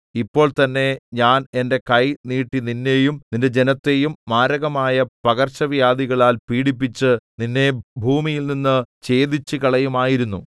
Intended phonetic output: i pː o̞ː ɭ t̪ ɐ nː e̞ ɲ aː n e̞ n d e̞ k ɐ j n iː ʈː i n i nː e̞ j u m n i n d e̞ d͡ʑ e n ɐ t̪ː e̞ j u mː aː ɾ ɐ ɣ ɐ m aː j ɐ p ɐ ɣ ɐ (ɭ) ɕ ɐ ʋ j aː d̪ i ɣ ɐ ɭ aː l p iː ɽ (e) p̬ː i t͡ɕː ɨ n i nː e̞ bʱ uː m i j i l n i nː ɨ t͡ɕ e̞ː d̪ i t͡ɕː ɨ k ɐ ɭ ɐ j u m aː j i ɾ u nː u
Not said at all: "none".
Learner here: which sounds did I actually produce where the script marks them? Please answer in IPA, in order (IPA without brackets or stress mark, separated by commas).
r, i